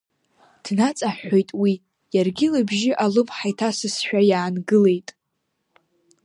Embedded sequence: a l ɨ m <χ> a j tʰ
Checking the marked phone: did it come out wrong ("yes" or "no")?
yes